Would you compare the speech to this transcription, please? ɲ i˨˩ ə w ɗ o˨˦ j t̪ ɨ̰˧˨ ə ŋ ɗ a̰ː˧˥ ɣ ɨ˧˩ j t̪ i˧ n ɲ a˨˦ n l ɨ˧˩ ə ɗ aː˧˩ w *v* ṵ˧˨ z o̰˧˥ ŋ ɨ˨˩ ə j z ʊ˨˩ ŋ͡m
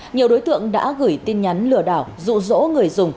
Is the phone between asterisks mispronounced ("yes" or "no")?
yes